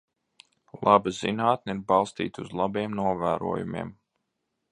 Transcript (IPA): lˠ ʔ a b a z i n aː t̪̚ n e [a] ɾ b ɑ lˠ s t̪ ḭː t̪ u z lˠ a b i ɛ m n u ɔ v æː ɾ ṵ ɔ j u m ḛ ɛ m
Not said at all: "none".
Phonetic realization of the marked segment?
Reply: i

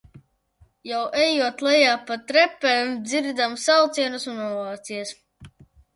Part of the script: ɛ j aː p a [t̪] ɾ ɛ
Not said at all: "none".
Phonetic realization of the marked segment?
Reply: t̪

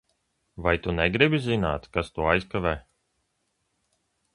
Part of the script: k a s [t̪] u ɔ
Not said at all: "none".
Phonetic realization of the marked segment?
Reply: t̪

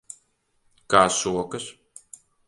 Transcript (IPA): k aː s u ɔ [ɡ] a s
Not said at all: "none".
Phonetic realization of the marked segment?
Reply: k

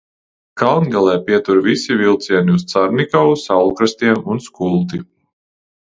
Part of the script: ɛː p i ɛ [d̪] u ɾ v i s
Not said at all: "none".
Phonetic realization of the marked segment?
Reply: t̪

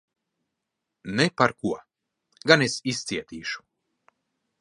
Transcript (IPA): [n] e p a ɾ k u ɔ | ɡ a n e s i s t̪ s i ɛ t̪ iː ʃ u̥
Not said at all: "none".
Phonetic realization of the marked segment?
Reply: n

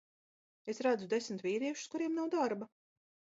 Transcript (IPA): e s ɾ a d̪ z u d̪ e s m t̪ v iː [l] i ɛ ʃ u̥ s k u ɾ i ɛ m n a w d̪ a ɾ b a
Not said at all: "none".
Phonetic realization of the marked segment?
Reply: ɾ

